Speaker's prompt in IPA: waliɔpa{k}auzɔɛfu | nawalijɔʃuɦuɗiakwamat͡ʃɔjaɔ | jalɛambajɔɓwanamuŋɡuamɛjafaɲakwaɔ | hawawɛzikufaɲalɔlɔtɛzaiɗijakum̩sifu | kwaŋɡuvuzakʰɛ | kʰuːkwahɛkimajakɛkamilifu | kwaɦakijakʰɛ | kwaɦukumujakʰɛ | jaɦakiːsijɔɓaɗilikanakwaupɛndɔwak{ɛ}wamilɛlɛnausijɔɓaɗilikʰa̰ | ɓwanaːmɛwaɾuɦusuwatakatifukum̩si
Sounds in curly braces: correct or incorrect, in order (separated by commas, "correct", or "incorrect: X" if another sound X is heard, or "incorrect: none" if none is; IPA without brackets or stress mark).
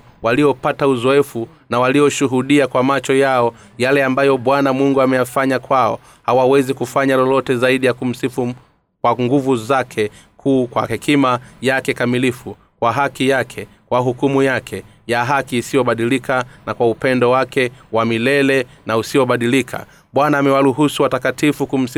incorrect: t, correct